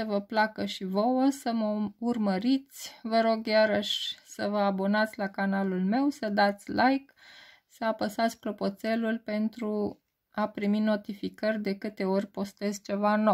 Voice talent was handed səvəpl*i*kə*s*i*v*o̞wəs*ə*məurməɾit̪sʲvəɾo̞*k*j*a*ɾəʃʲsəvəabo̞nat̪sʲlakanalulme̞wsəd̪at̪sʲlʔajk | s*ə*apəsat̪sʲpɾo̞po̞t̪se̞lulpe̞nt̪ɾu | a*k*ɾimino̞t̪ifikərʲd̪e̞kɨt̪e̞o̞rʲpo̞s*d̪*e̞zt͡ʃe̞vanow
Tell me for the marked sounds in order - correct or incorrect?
incorrect: a, incorrect: ʃ, correct, correct, incorrect: ɡ, correct, correct, incorrect: p, incorrect: t̪

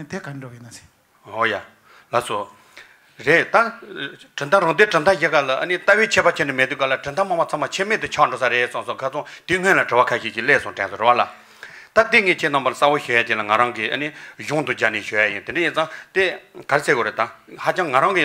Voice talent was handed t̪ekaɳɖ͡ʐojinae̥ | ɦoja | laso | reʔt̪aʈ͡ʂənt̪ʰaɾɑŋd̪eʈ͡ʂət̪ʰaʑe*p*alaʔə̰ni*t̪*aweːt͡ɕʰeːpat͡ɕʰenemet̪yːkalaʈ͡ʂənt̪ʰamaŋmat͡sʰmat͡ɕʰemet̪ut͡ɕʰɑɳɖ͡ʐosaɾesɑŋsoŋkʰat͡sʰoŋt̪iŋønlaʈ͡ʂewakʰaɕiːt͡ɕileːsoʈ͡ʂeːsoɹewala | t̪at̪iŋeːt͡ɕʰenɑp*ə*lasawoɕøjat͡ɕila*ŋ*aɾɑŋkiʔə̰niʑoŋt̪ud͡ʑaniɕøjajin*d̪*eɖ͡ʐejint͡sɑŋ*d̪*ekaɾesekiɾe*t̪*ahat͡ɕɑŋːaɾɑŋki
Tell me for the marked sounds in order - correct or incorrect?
incorrect: k, correct, incorrect: a, correct, incorrect: t̪, incorrect: t̪, correct

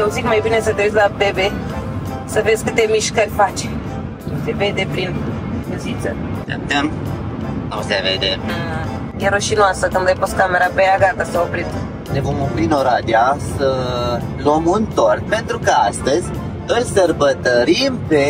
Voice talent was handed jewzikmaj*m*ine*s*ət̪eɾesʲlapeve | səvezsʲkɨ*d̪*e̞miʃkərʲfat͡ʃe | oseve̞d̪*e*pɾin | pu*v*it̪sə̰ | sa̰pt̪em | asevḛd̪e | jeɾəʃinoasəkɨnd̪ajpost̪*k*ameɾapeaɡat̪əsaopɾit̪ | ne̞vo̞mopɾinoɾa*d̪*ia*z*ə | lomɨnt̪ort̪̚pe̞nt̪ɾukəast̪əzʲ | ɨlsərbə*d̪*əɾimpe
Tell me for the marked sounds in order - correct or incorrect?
incorrect: b, correct, incorrect: t̪, correct, incorrect: z, correct, correct, incorrect: s, incorrect: t̪

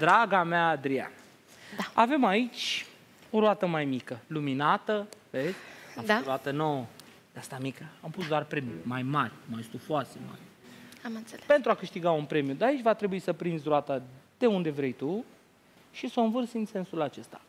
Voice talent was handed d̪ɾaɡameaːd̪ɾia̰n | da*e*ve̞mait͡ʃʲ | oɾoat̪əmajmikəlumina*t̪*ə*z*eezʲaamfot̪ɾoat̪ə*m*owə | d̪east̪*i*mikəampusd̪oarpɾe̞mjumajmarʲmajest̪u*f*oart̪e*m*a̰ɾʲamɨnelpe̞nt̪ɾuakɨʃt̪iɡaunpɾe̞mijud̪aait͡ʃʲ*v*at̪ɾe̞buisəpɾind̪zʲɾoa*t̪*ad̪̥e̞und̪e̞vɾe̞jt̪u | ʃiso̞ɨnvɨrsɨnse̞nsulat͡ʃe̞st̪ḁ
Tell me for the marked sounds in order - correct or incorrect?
incorrect: a, correct, incorrect: v, incorrect: n, incorrect: a, correct, correct, correct, correct

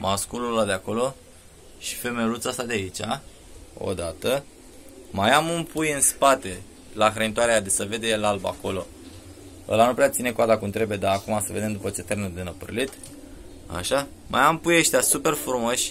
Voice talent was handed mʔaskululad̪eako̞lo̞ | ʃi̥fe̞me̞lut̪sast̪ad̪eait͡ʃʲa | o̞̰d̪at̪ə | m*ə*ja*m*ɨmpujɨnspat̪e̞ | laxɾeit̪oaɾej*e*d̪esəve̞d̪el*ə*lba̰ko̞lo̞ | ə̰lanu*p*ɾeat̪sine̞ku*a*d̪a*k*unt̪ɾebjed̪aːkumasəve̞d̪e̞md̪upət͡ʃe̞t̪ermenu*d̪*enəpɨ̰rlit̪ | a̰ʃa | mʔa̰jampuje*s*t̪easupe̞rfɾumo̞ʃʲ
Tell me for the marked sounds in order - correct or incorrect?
incorrect: a, correct, incorrect: a, incorrect: a, correct, correct, correct, correct, incorrect: ʃ

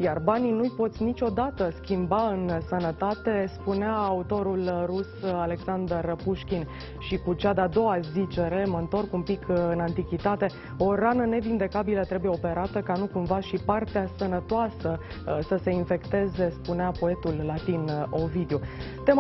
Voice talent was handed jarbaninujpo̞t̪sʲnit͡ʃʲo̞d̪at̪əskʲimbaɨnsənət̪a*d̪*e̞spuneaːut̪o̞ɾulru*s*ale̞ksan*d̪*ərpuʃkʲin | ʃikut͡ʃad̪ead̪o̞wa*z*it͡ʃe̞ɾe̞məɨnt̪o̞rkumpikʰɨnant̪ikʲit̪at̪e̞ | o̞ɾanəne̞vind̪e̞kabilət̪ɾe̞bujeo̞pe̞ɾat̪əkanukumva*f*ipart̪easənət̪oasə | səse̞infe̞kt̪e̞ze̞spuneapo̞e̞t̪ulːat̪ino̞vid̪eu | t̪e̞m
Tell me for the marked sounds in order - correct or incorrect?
incorrect: t̪, correct, correct, correct, incorrect: ʃ

